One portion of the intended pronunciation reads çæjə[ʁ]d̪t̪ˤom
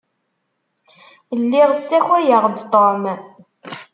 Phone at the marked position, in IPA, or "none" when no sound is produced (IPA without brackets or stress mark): ʁ